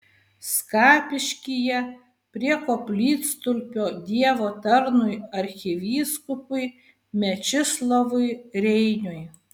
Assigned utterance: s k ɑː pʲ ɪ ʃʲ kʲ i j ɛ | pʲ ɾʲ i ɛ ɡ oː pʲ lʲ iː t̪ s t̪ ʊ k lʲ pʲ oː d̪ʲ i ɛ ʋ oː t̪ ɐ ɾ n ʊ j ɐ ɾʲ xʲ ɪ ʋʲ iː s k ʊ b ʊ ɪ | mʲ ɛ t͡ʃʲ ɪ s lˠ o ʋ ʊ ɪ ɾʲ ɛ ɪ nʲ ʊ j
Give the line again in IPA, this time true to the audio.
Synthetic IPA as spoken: s k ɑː pʲ ɪ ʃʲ kʲ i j ɛ | pʲ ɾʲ i ɛ k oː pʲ lʲ iː t̪ s t̪ ʊ lʲ pʲ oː d̪ʲ i ɛ ʋ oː t̪ ɐ ɾ n ʊ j ɐ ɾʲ xʲ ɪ ʋʲ iː s k ʊ p ʊ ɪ | mʲ ɛ t͡ʃʲ ɪ s lˠ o ʋ ʊ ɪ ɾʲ ɛ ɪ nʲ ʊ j